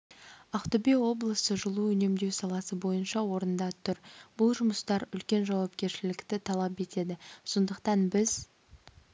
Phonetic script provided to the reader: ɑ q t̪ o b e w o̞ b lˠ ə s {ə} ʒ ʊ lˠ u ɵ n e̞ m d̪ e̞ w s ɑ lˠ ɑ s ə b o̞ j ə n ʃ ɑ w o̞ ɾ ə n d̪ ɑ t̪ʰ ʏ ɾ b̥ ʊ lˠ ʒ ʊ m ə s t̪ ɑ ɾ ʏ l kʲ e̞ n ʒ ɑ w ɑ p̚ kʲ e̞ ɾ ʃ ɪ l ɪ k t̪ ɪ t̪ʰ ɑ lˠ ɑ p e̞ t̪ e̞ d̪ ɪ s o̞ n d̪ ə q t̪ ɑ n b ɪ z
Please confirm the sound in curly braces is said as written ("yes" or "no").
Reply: yes